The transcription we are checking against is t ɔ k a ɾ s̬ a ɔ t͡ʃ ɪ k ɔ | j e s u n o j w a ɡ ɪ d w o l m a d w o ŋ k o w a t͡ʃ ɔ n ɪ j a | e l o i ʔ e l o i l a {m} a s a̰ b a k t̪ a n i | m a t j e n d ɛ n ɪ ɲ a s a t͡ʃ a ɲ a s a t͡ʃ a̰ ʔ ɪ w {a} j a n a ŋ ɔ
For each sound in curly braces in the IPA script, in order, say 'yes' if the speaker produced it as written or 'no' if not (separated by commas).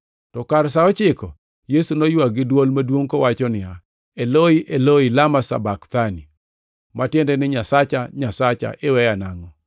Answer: yes, no